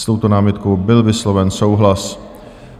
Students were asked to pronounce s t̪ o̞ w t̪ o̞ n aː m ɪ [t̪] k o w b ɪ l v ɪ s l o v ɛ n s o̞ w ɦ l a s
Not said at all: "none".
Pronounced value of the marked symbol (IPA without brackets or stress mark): t̪